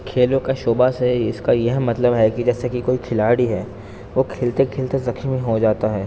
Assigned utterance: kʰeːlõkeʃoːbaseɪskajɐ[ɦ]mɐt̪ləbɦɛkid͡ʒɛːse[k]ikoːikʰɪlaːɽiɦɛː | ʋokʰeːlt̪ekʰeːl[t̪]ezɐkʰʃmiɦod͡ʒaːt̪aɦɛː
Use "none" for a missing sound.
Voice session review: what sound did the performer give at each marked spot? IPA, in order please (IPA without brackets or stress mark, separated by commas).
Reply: ɦ, k, t̪